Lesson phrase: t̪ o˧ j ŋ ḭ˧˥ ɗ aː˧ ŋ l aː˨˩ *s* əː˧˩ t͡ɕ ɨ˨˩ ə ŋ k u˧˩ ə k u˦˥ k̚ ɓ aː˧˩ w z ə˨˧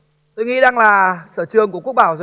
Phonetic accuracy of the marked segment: correct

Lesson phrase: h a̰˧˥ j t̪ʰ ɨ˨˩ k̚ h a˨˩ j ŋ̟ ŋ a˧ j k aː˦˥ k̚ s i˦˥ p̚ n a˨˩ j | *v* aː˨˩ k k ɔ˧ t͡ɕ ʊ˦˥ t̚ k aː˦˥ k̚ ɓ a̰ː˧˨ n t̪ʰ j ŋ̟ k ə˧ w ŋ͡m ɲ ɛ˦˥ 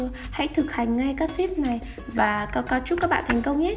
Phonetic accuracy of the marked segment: correct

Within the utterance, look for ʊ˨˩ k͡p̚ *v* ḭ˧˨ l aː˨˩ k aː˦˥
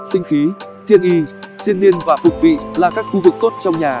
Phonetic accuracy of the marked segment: correct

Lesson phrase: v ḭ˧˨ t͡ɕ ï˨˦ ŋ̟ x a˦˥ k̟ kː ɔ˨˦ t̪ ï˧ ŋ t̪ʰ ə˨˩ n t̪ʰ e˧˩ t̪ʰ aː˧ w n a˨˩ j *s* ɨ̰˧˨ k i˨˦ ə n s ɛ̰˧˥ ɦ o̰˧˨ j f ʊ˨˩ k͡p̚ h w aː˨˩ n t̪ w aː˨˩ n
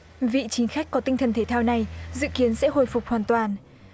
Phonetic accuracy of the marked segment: incorrect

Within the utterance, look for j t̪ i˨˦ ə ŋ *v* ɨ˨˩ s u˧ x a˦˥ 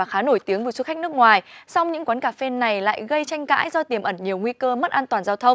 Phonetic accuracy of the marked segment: correct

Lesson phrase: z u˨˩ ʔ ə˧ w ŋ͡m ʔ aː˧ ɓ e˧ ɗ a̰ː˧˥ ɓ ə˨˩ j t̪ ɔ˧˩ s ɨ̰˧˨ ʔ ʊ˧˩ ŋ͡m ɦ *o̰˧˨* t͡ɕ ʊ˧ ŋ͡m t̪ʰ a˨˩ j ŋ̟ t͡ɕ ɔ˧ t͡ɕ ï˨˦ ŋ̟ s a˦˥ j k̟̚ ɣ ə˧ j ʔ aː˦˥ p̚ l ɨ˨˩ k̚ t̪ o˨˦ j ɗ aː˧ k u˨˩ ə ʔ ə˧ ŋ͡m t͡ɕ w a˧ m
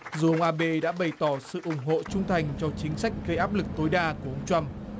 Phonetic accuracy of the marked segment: correct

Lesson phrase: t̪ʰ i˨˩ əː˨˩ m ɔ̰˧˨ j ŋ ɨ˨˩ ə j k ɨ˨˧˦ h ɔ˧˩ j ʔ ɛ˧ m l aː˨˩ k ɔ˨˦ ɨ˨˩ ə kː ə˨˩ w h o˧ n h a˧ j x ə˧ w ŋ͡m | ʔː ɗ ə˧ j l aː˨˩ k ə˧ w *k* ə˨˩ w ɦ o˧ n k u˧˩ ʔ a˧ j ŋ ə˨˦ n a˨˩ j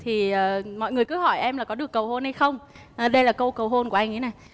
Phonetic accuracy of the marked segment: correct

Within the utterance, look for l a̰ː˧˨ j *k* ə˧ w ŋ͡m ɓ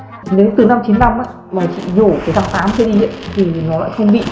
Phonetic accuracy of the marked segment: incorrect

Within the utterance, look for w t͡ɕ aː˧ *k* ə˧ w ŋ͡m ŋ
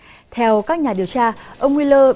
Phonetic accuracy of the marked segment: incorrect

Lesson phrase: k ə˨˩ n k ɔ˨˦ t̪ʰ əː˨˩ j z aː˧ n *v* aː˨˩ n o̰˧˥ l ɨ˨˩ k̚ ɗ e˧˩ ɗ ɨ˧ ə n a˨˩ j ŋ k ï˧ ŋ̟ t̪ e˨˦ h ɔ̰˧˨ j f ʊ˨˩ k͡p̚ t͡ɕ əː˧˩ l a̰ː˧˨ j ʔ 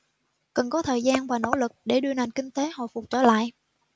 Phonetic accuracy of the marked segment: correct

